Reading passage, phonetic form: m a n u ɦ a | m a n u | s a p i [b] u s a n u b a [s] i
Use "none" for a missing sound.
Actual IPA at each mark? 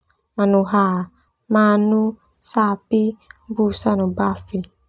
b, f

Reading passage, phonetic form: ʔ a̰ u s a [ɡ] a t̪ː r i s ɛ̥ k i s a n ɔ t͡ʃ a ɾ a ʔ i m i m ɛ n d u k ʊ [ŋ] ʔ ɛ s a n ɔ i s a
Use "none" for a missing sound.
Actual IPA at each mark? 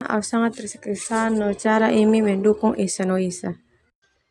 ŋ, ŋ

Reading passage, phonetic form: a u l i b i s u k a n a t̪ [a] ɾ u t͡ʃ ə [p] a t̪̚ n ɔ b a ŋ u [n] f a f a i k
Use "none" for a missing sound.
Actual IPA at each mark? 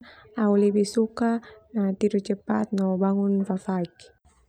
i, p, n

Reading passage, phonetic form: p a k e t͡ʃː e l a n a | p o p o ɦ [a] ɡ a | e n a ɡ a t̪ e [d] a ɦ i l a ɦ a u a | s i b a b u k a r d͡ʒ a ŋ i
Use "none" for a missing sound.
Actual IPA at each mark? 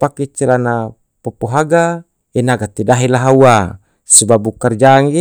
a, d

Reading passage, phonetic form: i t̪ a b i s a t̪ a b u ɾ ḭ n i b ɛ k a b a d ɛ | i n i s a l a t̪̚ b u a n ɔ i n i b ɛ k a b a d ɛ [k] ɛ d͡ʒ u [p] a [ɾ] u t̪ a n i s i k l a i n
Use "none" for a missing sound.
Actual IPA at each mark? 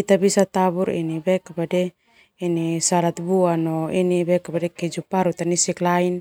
k, p, ɾ

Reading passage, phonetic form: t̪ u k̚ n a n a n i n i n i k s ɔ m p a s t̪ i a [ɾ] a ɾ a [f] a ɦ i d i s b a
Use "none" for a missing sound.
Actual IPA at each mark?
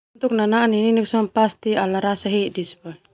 l, s

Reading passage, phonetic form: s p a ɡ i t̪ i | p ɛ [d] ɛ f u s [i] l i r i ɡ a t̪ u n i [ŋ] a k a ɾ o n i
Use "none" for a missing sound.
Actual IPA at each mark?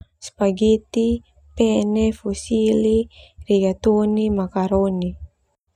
n, i, m

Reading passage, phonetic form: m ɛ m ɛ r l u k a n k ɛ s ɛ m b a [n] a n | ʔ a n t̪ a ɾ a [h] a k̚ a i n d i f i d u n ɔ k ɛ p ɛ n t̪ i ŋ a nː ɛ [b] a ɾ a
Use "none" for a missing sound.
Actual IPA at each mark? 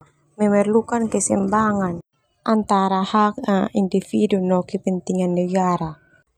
ŋ, h, ɡ

